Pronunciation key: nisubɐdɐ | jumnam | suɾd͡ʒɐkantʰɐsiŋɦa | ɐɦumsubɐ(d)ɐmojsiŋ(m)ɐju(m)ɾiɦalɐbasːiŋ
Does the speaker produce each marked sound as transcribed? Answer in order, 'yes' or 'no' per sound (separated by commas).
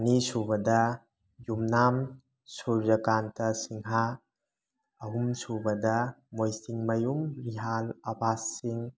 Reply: yes, yes, yes